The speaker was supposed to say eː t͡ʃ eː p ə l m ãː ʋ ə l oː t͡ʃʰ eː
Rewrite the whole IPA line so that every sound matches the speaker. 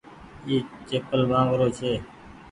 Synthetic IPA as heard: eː t͡ʃ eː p ə l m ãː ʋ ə ɾ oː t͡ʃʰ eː